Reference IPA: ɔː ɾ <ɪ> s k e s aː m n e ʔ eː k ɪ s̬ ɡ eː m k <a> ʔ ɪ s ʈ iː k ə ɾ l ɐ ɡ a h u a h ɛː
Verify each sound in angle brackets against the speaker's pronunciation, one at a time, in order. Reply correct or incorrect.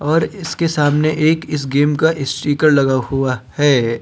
correct, correct

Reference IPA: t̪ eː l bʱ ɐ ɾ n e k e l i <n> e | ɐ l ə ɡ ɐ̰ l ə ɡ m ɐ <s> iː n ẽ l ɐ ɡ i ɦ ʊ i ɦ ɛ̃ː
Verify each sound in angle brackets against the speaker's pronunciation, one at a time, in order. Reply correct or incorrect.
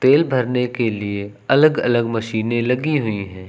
incorrect: none, incorrect: ʃ

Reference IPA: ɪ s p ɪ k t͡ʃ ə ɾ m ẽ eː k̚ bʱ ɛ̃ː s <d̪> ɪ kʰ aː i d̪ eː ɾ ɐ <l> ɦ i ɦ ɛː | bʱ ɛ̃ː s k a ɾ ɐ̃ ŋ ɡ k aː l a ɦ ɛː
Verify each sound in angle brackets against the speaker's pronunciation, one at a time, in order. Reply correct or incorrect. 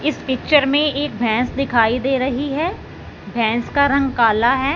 correct, incorrect: none

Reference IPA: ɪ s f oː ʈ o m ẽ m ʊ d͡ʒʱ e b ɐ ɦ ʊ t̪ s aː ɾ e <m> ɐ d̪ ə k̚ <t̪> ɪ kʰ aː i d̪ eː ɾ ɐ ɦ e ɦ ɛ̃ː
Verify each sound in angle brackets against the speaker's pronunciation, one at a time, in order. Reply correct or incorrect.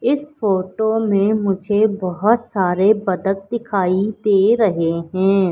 incorrect: b, incorrect: d̪

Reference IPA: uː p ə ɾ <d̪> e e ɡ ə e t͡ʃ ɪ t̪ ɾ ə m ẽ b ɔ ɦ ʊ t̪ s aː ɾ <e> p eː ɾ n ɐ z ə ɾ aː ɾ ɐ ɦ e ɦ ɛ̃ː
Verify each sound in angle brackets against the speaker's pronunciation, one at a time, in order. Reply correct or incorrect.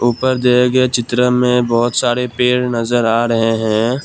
correct, correct

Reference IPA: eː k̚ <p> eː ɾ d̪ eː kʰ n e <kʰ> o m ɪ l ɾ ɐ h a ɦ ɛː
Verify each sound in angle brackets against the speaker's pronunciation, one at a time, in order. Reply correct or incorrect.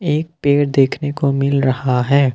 correct, incorrect: k

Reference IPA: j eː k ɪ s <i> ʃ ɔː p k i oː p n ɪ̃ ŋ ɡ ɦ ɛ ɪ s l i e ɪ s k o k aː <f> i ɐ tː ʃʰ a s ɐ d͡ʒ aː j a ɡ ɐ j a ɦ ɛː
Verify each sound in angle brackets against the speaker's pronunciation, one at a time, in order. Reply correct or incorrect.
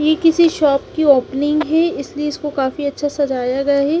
correct, correct

